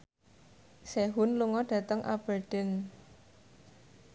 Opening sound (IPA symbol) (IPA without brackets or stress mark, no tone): s